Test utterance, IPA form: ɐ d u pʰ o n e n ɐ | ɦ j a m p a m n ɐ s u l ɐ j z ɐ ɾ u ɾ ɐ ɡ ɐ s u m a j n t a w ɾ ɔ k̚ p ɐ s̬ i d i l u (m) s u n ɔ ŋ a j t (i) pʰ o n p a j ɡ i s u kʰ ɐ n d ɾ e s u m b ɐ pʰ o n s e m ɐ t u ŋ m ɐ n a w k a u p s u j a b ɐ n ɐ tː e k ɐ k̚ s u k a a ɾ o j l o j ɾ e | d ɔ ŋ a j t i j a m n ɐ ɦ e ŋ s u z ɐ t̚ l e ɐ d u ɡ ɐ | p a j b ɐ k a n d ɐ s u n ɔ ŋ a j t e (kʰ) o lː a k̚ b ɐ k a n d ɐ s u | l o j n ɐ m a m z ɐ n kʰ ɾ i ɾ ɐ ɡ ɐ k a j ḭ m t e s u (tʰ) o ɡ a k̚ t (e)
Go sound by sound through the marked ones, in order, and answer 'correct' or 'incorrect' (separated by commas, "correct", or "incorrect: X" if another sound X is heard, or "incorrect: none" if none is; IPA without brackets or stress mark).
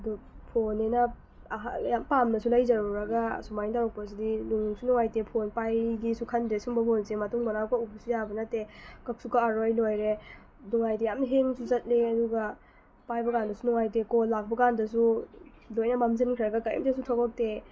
incorrect: ŋ, incorrect: e, incorrect: k, correct, correct